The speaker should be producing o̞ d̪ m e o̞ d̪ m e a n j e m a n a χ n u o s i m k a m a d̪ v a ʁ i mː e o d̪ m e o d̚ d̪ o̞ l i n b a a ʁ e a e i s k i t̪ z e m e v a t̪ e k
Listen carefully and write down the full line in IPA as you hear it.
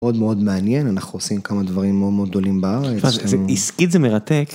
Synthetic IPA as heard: o̞ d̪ m e o̞ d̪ m e a n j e n a n a χ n u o s i m k a m a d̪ v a ʁ i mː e o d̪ m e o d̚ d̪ o̞ l i m b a a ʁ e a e i s k i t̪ z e m e ʁ a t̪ e k